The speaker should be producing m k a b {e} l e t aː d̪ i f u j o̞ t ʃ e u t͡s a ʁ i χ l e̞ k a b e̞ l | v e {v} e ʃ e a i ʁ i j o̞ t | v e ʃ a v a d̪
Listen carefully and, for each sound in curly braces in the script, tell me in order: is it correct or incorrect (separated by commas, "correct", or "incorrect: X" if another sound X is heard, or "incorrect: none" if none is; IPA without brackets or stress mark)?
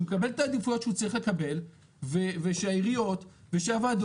correct, correct